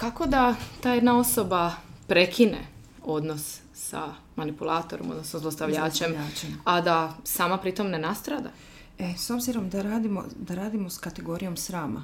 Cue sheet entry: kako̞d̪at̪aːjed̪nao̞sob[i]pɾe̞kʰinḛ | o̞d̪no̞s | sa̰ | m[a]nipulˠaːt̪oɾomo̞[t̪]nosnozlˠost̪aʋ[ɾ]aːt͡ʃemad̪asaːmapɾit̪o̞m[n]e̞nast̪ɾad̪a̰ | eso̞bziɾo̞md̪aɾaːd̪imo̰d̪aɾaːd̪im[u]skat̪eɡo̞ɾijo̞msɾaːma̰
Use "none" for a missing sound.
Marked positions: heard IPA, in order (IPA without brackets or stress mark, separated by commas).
a, a, d̪, ʎ, n, o